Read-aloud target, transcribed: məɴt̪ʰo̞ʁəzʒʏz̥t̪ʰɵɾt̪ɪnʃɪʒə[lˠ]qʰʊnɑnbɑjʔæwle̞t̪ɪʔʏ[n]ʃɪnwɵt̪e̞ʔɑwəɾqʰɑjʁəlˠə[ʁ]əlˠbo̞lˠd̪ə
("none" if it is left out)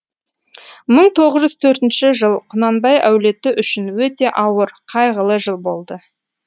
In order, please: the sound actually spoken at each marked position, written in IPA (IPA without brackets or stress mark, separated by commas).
lˠ, none, ʒ